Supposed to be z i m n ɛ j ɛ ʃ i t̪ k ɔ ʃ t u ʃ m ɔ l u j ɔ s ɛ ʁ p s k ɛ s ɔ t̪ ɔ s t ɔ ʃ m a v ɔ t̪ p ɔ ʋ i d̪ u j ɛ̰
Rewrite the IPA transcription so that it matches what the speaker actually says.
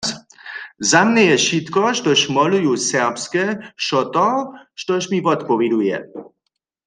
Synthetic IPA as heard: z a m n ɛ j ɛ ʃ i t̪ k ɔ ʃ t ɔ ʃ m ɔ l u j u s ɛ ʁ p s k ɛ ʃ ɔ t̪ ɔ ʃ t ɔ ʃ m i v ɔ t̪ p ɔ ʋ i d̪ u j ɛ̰